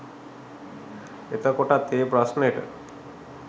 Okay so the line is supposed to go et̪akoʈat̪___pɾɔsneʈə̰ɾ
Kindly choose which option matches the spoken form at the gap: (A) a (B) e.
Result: B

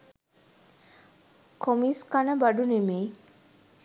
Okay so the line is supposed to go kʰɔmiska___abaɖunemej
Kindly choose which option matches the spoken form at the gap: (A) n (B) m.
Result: A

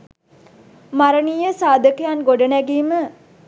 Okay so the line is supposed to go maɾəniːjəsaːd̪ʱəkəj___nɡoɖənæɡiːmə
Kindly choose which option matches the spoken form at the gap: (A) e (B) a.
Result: B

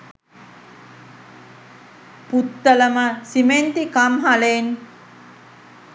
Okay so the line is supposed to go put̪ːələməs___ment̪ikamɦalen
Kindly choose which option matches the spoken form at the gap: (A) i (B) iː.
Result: A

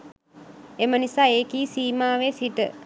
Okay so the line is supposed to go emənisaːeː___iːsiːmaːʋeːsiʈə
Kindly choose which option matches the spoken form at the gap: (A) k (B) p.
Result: A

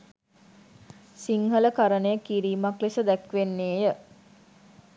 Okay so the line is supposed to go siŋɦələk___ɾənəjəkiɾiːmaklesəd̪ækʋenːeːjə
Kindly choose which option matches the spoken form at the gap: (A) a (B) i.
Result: A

